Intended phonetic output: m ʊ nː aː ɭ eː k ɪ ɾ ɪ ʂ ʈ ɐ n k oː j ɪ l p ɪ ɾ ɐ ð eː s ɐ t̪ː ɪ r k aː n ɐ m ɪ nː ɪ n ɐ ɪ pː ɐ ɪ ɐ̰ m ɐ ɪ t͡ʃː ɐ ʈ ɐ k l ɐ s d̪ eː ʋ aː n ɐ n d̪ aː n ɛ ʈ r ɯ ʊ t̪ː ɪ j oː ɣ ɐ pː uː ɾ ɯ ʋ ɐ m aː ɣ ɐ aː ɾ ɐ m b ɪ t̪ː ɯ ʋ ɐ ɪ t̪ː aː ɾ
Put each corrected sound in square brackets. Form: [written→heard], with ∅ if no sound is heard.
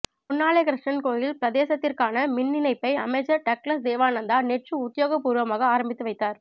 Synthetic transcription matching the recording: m ʊ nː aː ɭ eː k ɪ ɾ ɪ ʂ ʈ ɐ n k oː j ɪ l p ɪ ɾ ɐ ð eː s ɐ t̪ː ɪ r k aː n ɐ m ɪ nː ɪ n ɐ ɪ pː ɐ ɪ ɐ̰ m ɐ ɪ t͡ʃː ɐ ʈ ɐ k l ɐ s d̪ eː ʋ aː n ɐ n d̪ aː n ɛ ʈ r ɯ ʊ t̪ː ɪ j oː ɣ ɐ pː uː ɾ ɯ ʋ ɐ m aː ɣ ɐ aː ɾ ɐ m b ɪ t̪ː ɯ ʋ ɐ ɪ t̪ː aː ɾ